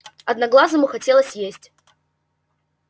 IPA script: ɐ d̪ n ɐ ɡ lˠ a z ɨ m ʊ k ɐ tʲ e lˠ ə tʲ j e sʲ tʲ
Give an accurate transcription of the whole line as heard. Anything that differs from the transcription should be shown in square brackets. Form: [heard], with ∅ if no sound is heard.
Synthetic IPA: ɐ d̪ n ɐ ɡ lˠ a z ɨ m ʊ [x] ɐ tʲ e lˠ ə [sʲ] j e sʲ tʲ